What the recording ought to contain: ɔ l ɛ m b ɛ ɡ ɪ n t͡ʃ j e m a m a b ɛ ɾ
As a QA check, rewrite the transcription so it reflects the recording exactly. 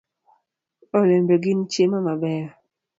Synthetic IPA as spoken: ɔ l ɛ m b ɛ ɡ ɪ n t͡ʃ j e m a m a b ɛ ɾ